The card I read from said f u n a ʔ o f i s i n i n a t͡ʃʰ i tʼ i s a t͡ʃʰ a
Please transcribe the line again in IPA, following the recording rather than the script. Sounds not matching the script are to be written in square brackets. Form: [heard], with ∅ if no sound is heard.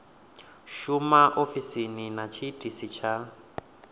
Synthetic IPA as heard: [ʃ] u [m] a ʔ o f i s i n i n a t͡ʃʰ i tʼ i s [i] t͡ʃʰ a